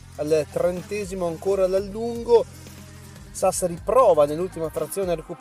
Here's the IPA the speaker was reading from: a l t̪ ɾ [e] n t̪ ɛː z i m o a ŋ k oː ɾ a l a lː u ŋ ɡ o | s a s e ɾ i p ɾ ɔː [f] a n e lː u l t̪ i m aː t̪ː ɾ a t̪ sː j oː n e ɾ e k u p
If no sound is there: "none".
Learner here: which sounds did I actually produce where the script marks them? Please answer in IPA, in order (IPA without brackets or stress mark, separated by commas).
e, v